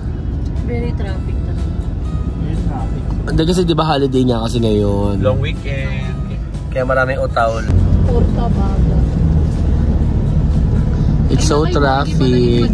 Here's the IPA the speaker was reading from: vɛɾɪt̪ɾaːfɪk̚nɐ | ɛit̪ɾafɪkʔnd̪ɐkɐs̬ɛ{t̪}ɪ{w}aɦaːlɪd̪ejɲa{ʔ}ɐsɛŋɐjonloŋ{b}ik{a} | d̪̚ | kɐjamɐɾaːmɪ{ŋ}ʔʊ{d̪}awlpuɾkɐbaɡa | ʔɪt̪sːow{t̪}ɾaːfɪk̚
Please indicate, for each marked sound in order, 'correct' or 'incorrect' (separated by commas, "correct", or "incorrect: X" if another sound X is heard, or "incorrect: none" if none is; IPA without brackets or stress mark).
incorrect: d̪, incorrect: b, incorrect: k, incorrect: w, incorrect: ɛ, correct, incorrect: t̪, correct